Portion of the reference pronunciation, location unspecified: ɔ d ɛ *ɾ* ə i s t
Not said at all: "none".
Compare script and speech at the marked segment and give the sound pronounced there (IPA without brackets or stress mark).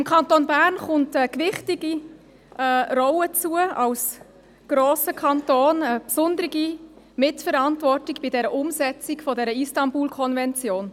ɾ